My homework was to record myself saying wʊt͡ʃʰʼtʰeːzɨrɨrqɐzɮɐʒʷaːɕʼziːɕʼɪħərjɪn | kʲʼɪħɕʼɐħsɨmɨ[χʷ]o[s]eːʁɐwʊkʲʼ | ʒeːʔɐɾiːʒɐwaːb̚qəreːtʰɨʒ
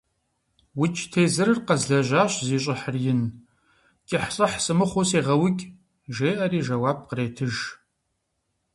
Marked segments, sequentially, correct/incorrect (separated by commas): correct, correct